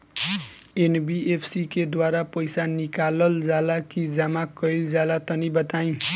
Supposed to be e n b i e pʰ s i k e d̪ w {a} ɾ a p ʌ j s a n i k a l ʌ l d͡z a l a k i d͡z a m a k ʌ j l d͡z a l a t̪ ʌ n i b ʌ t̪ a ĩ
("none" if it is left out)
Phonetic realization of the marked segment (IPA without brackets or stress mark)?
a